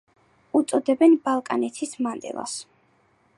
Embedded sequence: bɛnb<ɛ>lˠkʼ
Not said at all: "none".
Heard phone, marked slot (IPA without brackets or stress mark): a